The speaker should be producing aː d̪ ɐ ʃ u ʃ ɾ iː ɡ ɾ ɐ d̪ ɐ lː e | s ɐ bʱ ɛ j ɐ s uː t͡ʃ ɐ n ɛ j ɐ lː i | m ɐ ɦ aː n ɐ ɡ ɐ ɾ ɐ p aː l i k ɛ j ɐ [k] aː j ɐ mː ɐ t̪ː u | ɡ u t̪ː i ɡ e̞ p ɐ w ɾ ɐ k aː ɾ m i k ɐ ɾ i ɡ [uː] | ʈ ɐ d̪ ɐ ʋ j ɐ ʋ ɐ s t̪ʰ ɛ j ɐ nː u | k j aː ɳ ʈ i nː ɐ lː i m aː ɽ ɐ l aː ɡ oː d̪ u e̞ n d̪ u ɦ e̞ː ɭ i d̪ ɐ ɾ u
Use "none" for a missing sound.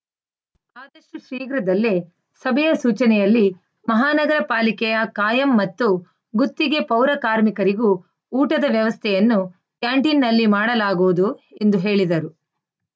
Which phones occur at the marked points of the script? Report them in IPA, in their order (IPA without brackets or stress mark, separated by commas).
k, uː